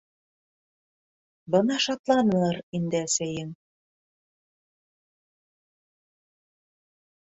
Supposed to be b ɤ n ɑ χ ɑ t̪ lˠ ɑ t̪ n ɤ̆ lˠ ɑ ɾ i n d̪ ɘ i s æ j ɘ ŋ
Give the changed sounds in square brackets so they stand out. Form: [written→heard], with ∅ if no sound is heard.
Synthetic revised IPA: b ɤ n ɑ [χ→ʃ] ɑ t̪ lˠ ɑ [t̪→∅] n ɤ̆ lˠ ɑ ɾ i n d̪ ɘ [i→æ] s æ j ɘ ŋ